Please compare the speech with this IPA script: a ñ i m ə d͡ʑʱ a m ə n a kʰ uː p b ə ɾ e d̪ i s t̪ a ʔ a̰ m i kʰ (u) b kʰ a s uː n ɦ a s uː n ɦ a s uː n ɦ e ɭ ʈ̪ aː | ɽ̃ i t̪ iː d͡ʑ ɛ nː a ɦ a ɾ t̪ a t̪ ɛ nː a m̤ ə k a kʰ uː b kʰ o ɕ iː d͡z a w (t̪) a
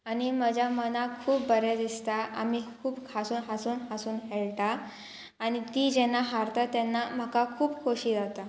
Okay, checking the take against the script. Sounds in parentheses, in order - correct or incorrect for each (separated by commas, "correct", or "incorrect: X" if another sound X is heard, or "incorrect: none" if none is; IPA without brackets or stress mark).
incorrect: uː, correct